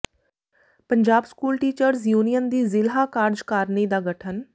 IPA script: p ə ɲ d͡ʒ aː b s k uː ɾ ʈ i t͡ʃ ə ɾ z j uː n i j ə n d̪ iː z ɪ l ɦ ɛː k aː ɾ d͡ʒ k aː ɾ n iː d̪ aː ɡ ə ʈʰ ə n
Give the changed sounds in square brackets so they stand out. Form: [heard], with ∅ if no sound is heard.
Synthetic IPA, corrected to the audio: p ə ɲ d͡ʒ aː b s k uː [l] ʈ [iː] t͡ʃ ə ɾ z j uː n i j ə n d̪ iː z ɪ l ɦ [aː] k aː ɾ d͡ʒ k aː ɾ n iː d̪ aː ɡ ə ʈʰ ə n

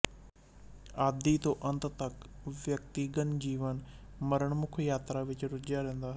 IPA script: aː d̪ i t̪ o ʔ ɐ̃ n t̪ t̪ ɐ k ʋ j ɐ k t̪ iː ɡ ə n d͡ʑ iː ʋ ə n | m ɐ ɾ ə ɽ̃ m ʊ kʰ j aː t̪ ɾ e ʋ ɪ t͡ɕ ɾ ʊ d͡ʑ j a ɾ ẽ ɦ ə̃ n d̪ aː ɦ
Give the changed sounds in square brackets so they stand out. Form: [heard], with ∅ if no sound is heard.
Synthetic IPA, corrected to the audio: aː d̪ i t̪ o ʔ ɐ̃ n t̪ t̪ ɐ k ʋ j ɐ k t̪ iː ɡ ə n d͡ʑ iː ʋ ə n | m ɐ ɾ ə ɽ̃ m ʊ kʰ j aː t̪ ɾ [a] ʋ ɪ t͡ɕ ɾ ʊ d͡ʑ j a ɾ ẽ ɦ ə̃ n d̪ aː ɦ

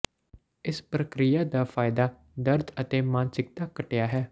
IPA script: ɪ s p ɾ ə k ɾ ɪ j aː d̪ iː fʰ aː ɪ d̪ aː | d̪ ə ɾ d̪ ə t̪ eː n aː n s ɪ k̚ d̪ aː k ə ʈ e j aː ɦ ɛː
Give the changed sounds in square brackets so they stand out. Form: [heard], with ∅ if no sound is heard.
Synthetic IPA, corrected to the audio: ɪ s p ɾ ə k ɾ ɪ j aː d̪ [aː] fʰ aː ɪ d̪ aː | d̪ ə ɾ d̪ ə t̪ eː [m] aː n s ɪ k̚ [t̪] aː k ə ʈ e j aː ɦ ɛː

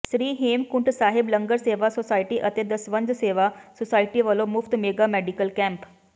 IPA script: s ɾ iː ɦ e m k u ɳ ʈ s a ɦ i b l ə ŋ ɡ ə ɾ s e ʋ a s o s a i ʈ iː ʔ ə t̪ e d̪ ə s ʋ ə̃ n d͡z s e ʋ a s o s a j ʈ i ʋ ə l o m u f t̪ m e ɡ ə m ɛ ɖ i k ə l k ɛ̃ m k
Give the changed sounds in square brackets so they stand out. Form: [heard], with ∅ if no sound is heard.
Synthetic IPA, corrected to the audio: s ɾ iː ɦ e m k u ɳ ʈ s a ɦ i b l ə ŋ ɡ ə ɾ s e ʋ a s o s a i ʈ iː ʔ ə t̪ e d̪ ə s ʋ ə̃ n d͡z s e ʋ a s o s a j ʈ i ʋ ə l o m u f t̪ m e ɡ [a] m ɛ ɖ i k ə l k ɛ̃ m [p]

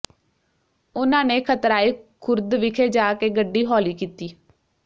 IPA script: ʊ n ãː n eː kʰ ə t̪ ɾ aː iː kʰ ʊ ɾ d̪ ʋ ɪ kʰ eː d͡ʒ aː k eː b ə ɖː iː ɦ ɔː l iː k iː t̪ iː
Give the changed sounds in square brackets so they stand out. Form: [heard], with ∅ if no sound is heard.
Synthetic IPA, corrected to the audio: ʊ n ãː n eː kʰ ə t̪ ɾ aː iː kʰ ʊ ɾ d̪ ʋ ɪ kʰ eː d͡ʒ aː k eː [ɡ] ə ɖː iː ɦ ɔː l iː k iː t̪ iː

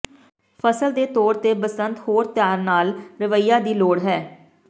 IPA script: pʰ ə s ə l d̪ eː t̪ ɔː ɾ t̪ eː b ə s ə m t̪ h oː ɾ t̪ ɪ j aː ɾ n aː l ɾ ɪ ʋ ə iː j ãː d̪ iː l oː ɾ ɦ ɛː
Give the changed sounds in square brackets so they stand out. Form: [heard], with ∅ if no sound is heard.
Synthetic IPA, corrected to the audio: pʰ ə s ə l d̪ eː t̪ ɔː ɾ t̪ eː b ə s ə [n] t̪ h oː ɾ t̪ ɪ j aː ɾ n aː l ɾ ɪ ʋ ə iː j [aː] d̪ iː l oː [ɽ] ɦ ɛː

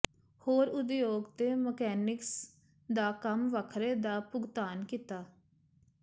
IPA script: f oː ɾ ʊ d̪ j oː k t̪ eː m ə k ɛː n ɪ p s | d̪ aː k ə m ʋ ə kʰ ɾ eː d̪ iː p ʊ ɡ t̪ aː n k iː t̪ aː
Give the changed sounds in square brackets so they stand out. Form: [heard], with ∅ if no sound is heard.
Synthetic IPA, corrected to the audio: [h] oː ɾ ʊ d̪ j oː [ɡ] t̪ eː m ə k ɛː n ɪ [k] s | d̪ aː k ə m ʋ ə kʰ ɾ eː d̪ [aː] p ʊ ɡ t̪ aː n k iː t̪ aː

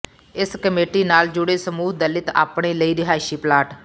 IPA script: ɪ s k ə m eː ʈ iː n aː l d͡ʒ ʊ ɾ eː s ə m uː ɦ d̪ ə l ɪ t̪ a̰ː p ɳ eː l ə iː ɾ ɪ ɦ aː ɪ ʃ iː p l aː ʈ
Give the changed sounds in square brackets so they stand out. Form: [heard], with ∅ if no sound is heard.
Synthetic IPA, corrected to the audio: ɪ s k ə m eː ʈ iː n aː l d͡ʒ ʊ [ɽ] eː s ə m uː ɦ d̪ ə l ɪ t̪ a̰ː p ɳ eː l ə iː ɾ ɪ ɦ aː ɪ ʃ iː p l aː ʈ

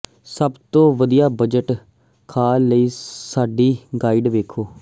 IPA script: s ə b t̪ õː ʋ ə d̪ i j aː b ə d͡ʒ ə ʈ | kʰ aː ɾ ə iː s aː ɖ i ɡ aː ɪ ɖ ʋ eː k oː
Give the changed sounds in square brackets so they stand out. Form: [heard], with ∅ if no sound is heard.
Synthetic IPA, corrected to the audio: s ə b t̪ õː ʋ ə d̪ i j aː b ə d͡ʒ ə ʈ | kʰ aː [l] ə iː s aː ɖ [iː] ɡ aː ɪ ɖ ʋ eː [kʰ] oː

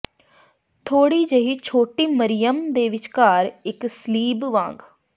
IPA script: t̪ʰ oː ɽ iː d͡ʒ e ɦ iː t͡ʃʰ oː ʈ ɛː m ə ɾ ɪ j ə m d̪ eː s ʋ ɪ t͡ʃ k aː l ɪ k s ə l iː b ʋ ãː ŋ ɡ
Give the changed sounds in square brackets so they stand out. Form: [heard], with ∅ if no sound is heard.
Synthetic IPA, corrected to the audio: t̪ʰ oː ɽ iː d͡ʒ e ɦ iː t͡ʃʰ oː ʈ [iː] m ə ɾ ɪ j ə m d̪ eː [∅] ʋ ɪ t͡ʃ k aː [ɾ] ɪ k s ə l iː b ʋ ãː ŋ ɡ

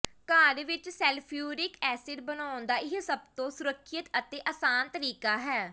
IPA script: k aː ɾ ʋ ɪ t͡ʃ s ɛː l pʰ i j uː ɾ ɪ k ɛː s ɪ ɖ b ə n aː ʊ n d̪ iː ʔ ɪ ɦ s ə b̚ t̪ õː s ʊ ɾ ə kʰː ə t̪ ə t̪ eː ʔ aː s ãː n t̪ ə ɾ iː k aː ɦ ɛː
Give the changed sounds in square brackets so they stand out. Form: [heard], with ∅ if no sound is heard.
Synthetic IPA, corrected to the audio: k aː ɾ ʋ ɪ t͡ʃ s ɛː l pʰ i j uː ɾ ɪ k ɛː s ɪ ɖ b ə n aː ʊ n d̪ [aː] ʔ ɪ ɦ s ə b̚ t̪ õː s ʊ ɾ ə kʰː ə t̪ ə t̪ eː ʔ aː s [aː] n t̪ ə ɾ iː k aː ɦ ɛː

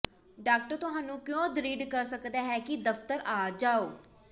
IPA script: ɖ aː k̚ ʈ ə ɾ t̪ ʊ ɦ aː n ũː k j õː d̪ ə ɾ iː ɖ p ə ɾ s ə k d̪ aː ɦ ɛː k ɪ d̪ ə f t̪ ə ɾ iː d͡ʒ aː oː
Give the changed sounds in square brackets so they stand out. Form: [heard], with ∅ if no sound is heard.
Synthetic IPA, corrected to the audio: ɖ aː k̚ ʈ ə ɾ t̪ ʊ ɦ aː n ũː k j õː d̪ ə ɾ iː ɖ [k] ə ɾ s ə k d̪ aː ɦ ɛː k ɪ d̪ ə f t̪ ə ɾ [aː] d͡ʒ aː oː

